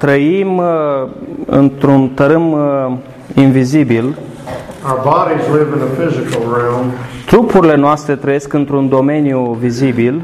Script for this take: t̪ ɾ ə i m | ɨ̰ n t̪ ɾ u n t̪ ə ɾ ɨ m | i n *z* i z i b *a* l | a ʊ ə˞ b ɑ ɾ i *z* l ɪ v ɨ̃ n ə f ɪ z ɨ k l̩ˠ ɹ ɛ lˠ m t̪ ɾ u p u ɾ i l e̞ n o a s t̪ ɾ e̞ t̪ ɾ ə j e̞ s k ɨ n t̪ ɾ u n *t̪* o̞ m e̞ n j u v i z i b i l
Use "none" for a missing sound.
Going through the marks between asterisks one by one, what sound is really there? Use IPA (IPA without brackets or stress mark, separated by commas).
v, i, z, d̪